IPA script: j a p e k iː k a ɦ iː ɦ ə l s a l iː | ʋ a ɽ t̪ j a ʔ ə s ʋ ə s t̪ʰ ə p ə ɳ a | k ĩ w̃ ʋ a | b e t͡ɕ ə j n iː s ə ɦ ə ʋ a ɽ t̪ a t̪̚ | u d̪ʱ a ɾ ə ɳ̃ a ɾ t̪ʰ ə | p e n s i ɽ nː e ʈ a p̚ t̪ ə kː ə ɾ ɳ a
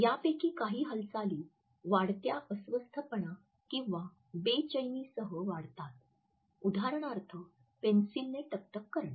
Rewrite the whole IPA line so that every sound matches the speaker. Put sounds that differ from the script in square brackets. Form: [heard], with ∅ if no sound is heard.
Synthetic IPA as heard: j a p e k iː k a ɦ iː ɦ ə l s a l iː | ʋ a ɽ t̪ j a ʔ ə s ʋ ə s t̪ʰ ə p ə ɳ a | k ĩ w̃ ʋ a | b e t͡ɕ ə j n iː s ə ɦ ə ʋ a ɽ t̪ a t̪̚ | u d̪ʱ a ɾ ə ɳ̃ a ɾ t̪ʰ ə | p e n s i [l] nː e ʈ [ə] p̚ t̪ ə kː ə ɾ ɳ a